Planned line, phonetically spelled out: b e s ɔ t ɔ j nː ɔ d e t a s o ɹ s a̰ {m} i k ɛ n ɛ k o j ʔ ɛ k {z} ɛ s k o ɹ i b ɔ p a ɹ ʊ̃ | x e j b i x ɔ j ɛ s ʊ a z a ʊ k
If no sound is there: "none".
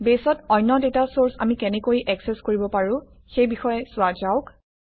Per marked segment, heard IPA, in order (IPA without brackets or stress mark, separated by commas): m, s